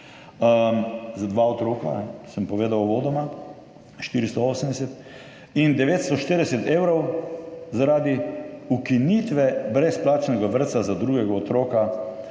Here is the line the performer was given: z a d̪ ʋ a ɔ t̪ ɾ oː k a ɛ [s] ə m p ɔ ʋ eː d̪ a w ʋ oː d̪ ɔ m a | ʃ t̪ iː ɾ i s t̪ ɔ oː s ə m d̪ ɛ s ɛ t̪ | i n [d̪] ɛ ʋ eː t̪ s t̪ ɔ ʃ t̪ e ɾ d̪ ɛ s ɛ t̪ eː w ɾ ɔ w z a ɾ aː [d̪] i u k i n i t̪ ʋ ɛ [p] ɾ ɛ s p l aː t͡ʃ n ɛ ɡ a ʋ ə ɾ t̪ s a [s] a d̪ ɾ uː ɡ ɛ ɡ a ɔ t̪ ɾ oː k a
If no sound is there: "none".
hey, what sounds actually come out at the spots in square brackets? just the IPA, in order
s, d̪, d̪, b, z

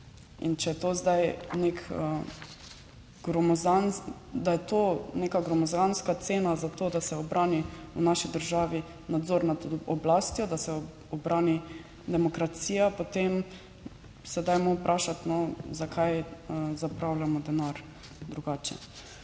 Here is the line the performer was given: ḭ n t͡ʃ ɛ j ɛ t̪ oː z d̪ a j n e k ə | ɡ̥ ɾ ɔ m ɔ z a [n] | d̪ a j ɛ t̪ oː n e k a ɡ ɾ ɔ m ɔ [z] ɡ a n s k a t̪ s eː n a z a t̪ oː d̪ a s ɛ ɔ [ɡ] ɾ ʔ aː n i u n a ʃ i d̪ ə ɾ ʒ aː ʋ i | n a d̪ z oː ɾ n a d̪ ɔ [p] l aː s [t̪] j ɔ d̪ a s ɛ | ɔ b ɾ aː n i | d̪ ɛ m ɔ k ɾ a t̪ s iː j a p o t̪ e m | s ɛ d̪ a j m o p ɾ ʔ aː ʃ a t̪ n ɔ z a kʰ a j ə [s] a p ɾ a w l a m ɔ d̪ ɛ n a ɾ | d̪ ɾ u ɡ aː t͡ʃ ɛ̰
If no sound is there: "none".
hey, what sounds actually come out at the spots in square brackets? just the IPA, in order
n, z, b, b, t̪, z

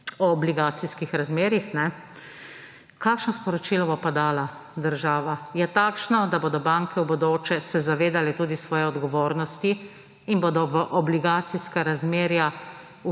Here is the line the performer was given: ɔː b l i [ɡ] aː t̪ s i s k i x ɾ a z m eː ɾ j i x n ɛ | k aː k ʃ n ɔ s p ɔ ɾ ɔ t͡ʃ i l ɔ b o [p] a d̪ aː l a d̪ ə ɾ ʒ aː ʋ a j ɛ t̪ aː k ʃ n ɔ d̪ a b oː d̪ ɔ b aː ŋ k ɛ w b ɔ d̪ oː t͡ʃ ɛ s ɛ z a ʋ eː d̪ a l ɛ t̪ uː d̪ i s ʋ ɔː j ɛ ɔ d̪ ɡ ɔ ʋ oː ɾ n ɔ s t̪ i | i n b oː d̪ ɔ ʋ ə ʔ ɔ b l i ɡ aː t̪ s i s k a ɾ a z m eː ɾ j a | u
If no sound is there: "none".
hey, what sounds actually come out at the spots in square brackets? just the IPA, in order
ɡ, p

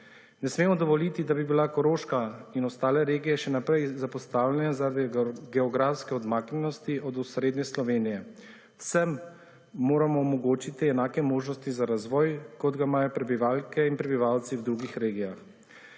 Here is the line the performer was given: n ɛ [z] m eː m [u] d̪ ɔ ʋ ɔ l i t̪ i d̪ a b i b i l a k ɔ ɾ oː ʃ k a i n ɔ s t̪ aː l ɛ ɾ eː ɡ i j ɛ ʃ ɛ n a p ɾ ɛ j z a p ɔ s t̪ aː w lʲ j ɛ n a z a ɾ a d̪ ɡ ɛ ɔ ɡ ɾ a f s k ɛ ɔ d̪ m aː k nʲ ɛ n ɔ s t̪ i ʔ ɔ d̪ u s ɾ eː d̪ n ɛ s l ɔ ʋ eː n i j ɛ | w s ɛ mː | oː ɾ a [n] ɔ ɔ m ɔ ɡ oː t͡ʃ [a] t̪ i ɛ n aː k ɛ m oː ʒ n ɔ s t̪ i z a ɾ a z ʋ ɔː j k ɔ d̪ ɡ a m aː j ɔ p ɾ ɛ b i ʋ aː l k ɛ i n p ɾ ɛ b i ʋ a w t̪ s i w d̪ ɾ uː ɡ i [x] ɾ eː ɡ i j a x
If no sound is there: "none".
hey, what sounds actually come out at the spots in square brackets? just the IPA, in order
s, ɔ, m, i, x

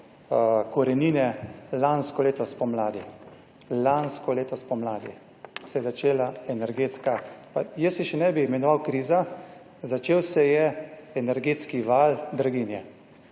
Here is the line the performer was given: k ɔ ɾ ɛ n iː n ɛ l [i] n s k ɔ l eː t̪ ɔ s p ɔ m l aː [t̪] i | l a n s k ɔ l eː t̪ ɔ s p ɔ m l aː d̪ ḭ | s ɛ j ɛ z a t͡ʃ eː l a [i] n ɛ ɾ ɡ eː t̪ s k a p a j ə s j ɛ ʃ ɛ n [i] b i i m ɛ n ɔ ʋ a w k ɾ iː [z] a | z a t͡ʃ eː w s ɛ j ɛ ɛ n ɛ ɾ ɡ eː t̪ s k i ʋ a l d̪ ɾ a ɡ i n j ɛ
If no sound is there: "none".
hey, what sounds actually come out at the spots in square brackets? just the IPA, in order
a, d̪, ɛ, ɛ, z

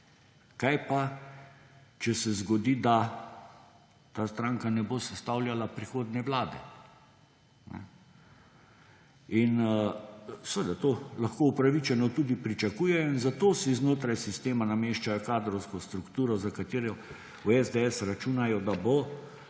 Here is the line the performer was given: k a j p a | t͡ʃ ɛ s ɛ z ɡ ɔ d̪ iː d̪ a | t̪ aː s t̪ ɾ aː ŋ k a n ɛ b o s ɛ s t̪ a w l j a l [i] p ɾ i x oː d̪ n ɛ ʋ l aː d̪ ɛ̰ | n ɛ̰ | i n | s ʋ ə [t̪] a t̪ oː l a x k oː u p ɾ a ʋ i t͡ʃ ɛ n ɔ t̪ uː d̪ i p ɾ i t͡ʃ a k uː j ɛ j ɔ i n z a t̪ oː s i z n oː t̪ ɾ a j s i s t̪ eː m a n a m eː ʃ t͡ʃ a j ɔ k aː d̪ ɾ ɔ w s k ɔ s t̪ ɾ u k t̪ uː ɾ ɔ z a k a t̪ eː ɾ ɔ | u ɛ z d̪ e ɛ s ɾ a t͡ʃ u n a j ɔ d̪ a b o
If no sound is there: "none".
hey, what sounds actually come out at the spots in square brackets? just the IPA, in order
a, d̪

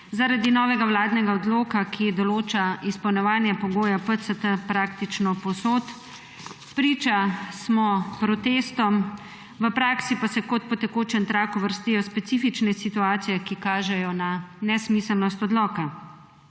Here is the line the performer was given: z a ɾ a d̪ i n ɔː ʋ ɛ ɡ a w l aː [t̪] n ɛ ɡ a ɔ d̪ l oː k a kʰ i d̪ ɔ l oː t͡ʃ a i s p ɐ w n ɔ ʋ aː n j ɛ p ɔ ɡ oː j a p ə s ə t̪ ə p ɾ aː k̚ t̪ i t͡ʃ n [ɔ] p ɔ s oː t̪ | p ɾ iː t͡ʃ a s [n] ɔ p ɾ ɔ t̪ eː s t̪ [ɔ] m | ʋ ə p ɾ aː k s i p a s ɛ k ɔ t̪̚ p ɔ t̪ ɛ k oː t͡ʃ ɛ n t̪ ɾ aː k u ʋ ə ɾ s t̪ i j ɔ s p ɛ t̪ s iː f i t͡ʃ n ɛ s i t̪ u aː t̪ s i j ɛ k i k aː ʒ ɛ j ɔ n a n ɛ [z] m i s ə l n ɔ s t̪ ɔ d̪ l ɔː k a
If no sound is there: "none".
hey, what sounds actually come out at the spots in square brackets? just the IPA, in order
d̪, ɔ, m, ɔ, s

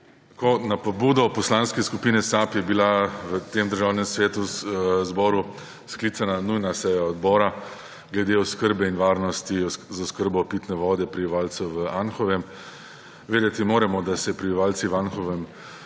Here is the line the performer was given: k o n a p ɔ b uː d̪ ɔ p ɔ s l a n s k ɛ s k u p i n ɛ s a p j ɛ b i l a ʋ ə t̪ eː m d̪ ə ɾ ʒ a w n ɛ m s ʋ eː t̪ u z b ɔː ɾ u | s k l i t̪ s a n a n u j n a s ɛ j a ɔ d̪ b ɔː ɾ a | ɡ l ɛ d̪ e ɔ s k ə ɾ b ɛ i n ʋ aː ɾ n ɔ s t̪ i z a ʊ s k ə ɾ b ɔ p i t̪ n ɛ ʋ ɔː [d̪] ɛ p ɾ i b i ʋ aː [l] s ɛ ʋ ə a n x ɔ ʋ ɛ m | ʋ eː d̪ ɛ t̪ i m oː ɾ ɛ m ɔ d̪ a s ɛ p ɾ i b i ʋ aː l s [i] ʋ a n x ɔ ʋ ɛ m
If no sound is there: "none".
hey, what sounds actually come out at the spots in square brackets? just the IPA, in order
d̪, l, i

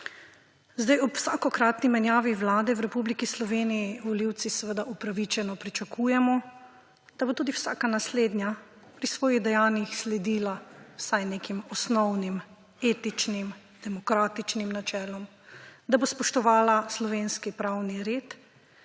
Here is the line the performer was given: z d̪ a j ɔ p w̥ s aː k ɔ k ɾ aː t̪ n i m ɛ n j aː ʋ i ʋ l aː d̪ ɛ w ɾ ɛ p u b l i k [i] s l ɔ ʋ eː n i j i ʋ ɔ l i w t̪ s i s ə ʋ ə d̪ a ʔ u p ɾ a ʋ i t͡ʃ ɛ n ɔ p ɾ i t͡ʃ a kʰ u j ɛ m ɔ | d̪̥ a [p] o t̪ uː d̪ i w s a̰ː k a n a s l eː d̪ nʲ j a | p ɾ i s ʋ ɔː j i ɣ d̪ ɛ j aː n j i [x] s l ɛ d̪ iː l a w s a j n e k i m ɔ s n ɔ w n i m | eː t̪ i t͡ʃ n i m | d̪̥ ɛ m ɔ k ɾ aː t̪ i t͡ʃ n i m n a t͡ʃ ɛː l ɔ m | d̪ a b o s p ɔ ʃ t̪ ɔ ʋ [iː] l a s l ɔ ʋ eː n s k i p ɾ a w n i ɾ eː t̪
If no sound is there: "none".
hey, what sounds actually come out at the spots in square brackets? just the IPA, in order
i, b, x, aː

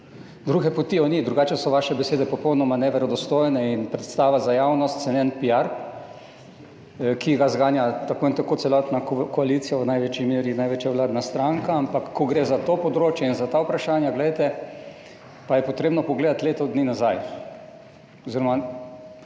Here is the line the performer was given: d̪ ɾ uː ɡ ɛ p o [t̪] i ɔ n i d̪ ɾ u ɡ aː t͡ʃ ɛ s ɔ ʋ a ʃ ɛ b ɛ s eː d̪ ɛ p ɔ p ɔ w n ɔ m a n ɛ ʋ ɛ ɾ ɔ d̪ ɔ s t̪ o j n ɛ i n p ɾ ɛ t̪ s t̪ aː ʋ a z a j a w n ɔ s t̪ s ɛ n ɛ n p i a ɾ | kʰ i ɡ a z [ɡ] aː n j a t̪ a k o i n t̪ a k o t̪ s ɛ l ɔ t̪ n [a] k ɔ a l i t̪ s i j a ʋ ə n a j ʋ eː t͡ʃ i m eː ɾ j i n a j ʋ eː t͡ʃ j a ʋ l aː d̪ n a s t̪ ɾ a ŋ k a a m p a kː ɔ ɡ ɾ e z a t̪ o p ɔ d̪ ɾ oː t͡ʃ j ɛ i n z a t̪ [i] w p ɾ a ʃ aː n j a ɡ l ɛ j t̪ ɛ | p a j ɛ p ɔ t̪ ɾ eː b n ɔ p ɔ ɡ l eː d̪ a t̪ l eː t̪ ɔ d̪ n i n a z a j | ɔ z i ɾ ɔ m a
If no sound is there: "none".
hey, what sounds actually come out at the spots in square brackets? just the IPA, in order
t̪, ɡ, a, a

